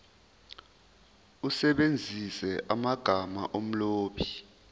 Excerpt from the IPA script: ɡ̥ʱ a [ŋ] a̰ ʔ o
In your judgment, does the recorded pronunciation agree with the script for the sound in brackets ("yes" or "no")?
no